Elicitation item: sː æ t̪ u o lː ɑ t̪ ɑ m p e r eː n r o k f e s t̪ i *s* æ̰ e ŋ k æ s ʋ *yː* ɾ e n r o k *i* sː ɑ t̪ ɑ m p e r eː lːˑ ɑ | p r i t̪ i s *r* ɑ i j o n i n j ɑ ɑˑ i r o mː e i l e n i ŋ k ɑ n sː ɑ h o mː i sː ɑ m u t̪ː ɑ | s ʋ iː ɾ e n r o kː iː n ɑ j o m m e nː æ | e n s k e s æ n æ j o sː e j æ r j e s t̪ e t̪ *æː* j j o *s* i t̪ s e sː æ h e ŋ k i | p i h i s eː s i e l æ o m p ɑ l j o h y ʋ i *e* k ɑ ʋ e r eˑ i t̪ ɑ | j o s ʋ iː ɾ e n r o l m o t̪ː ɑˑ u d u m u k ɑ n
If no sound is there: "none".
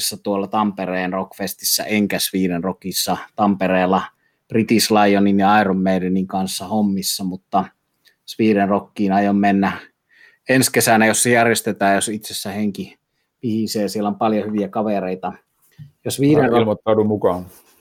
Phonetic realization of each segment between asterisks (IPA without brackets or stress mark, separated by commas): sː, iː, i, l, æː, s, æ